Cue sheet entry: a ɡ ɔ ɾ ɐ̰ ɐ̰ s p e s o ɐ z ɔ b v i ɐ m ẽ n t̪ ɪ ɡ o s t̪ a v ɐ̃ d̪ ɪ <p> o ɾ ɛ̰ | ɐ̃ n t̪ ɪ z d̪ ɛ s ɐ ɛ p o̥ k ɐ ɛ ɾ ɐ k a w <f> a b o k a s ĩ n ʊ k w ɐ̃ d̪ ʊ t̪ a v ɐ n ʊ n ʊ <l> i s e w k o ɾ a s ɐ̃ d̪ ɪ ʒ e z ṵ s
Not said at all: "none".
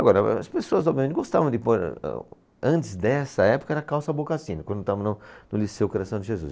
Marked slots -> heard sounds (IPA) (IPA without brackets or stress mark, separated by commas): p, s, l